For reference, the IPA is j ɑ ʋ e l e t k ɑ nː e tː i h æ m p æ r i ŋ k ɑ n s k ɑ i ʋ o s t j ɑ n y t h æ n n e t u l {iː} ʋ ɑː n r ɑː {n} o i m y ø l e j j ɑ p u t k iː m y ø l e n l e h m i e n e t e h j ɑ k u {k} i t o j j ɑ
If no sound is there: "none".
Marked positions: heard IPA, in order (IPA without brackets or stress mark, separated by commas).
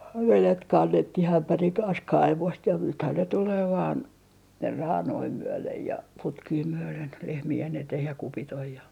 eː, n, p